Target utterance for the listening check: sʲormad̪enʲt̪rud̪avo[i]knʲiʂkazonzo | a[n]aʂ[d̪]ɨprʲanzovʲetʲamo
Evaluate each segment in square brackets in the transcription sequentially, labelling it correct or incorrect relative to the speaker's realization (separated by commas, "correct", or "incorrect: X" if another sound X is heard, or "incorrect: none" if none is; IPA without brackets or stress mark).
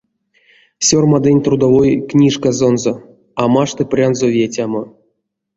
incorrect: j, incorrect: m, incorrect: t̪